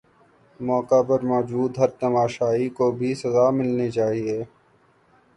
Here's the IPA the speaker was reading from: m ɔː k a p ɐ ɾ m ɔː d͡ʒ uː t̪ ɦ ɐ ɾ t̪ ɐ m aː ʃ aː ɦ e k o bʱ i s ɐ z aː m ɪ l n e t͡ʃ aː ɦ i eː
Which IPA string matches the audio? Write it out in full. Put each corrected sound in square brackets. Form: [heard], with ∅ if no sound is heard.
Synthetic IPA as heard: m ɔː k a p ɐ ɾ m ɔː d͡ʒ uː [d̪] ɦ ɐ ɾ t̪ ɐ m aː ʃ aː ɦ [i] k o bʱ i s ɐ z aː m ɪ l n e t͡ʃ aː ɦ i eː